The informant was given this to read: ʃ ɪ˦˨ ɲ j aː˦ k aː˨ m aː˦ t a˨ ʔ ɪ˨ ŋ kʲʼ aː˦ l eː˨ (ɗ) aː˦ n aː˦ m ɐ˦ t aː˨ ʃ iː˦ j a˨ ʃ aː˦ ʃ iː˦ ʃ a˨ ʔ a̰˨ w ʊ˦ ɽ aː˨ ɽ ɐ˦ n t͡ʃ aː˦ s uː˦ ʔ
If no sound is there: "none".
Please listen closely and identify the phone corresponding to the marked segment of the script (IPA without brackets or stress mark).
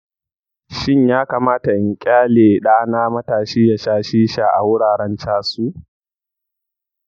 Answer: ɗ